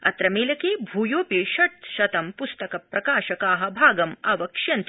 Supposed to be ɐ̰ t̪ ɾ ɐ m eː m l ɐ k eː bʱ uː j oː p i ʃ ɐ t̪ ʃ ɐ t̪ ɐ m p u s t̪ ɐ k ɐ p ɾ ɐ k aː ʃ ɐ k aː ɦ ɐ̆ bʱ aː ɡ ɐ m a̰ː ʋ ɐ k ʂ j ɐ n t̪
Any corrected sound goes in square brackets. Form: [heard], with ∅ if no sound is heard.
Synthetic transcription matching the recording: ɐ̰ t̪ ɾ ɐ m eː [∅] l ɐ k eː bʱ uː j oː p i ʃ ɐ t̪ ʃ ɐ t̪ ɐ m p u s t̪ ɐ k ɐ p ɾ ɐ k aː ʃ ɐ k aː ɦ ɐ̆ bʱ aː ɡ ɐ m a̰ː ʋ ɐ k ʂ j ɐ n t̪